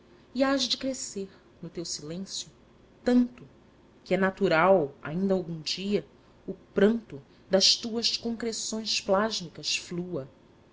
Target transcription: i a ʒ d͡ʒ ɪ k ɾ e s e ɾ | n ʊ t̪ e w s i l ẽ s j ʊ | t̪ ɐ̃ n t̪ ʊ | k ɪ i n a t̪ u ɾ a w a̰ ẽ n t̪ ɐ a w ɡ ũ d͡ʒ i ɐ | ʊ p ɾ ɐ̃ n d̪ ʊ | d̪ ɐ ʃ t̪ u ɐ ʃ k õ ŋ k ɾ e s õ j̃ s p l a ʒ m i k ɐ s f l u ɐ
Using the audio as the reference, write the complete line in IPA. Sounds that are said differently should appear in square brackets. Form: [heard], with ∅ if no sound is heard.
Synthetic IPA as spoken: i a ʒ d͡ʒ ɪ k ɾ e s e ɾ | n ʊ t̪ e w s i l ẽ s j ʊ | t̪ ɐ̃ n t̪ ʊ | k ɪ [ɛ] n a t̪ u ɾ a w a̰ [ĩ] n [d̪] ɐ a w ɡ ũ d͡ʒ i ɐ | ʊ p ɾ ɐ̃ n [t̪] ʊ | d̪ ɐ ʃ t̪ u ɐ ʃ k õ ŋ k ɾ e s õ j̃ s p l a ʒ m i k ɐ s f l u ɐ